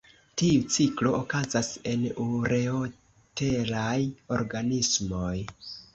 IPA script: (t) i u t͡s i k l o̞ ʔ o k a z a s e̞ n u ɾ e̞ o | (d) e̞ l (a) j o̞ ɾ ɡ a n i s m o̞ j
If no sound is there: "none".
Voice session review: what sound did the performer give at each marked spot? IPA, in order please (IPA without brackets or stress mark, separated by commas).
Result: t, t, a